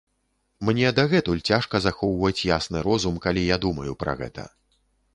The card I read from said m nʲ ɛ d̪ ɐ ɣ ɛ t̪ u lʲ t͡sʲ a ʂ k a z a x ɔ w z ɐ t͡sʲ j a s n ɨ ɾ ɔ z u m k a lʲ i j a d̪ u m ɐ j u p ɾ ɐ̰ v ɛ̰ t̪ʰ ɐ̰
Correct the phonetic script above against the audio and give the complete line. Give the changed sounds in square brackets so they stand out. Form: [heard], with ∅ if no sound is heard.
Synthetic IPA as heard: m nʲ ɛ d̪ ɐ ɣ ɛ t̪ u lʲ t͡sʲ a ʂ k [ɐ] z a x ɔ w [v] ɐ t͡sʲ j a s n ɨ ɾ ɔ z u m k a lʲ i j a d̪ u m ɐ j u p ɾ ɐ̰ [ɣ] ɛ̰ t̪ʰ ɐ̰